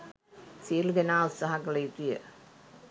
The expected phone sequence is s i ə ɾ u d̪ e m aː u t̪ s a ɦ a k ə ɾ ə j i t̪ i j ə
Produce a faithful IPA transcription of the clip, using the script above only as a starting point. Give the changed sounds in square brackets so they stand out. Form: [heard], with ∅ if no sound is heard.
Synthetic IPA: s i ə [l] u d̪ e [n] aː u t̪ s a ɦ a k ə [l] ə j i t̪ i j ə